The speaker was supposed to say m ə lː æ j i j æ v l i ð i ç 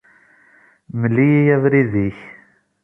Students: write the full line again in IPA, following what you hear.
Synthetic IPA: m ə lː i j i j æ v ɾ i ð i ç

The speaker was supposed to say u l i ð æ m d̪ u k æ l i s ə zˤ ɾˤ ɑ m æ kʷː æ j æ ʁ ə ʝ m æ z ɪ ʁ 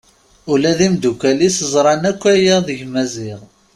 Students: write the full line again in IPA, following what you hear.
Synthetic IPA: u l æ ð i m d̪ u k æ l i s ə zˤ ɾˤ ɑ n æ kʷː æ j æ ð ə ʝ m æ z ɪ ʁ

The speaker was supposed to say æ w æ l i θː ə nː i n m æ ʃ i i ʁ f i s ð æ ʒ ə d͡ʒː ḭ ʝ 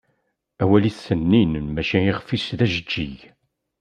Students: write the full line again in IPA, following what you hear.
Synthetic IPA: æ w æ l i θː ə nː i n m æ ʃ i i ʁ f i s ð æ ʒ ə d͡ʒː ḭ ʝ

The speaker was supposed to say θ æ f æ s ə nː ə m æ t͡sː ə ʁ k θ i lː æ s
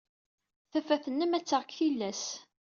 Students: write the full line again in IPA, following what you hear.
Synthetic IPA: θ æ f æ θ ə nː ə m æ t͡sː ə ʁ k θ i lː æ s

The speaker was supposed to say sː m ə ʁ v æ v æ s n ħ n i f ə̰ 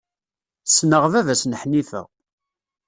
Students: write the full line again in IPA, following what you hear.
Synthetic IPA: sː n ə ʁ v æ v æ s n ħ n i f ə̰

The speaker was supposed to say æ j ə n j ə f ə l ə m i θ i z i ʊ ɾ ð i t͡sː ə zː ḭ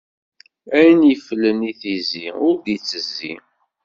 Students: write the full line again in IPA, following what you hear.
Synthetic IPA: æ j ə n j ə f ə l ə n i θ i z i ʊ ɾ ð i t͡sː ə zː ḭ

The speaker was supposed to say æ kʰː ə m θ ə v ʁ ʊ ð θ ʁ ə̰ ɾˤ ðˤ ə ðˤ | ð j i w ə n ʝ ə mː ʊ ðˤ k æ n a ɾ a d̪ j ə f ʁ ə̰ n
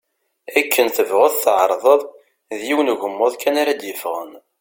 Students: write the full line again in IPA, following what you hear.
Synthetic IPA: æ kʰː ə n θ ə v ʁ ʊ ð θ ʕ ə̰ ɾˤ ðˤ ə ðˤ | ð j i w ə n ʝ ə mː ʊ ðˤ k æ n a ɾ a d̪ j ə f ʁ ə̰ n

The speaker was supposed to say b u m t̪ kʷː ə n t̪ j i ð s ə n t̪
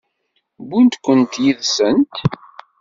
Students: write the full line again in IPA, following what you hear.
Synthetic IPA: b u n t̪ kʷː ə n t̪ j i ð s ə n t̪

